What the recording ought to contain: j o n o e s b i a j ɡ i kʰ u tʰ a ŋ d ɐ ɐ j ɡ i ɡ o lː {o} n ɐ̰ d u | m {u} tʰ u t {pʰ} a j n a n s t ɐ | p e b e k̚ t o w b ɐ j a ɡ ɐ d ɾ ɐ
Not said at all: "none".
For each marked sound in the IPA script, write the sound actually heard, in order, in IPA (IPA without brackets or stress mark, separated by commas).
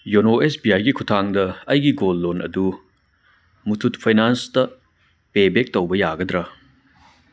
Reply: o, u, pʰ